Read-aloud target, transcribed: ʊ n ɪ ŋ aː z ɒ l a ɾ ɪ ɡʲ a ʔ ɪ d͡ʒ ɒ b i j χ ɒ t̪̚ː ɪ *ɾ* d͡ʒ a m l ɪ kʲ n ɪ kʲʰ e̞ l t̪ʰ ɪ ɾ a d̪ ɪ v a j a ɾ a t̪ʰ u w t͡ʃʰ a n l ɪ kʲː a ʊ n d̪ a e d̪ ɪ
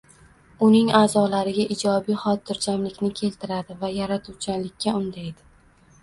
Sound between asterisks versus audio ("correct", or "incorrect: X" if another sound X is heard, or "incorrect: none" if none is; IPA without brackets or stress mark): correct